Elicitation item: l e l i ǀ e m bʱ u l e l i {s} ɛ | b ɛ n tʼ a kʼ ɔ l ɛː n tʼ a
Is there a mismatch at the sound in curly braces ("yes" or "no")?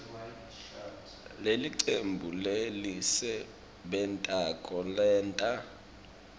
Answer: no